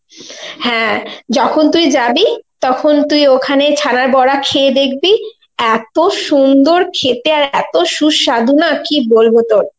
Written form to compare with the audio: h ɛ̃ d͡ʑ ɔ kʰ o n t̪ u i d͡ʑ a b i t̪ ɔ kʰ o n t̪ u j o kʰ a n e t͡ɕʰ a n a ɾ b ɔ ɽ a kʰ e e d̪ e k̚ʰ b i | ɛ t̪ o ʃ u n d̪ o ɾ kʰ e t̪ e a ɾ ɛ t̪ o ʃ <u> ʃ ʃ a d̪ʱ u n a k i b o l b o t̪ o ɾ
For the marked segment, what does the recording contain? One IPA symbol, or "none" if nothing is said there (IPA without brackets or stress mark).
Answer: u